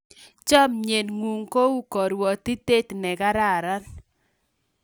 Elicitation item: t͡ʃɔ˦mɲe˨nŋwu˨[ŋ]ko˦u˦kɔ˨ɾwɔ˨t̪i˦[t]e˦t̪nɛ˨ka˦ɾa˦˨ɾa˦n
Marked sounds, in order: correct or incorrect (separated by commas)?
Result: correct, correct